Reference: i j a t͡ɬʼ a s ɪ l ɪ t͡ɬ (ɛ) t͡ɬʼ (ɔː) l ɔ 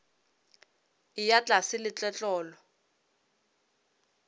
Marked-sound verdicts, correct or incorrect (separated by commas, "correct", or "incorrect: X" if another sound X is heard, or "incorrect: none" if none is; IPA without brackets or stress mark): correct, correct